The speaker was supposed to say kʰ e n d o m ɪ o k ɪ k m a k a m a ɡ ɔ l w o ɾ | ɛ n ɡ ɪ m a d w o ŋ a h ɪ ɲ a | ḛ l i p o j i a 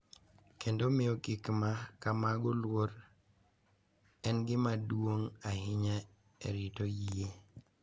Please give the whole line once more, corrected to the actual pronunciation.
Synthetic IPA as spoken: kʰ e n d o m ɪ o k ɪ k m a k a m a ɡ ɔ l w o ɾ | ɛ n ɡ ɪ m a d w o ŋ a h ɪ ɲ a | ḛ ɾ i t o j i e